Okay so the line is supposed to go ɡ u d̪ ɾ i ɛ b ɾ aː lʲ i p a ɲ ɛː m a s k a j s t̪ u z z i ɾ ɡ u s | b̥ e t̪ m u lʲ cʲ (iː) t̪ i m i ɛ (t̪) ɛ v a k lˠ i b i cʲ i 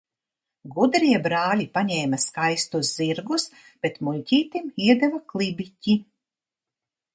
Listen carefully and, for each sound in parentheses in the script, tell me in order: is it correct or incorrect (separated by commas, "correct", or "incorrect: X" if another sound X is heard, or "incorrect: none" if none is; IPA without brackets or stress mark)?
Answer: correct, incorrect: d̪